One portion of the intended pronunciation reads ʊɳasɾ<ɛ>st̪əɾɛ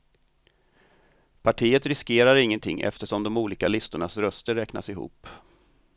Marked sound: incorrect: œ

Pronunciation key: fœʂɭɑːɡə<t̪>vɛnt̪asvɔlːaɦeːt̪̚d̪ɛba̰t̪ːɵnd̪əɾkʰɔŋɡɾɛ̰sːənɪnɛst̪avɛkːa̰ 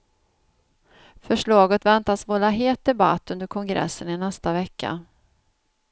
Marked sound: correct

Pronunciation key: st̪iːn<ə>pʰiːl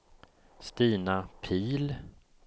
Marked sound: incorrect: a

